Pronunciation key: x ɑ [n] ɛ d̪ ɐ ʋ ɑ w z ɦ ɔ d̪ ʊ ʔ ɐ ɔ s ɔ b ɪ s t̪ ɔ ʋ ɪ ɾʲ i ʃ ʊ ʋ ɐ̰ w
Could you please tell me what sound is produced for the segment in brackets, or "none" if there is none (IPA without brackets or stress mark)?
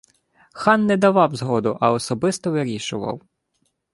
nː